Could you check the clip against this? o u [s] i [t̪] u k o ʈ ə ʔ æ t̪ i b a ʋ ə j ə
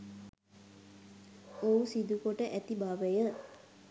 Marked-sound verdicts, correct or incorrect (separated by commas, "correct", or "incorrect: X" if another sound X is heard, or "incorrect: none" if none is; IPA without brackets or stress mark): correct, incorrect: d̪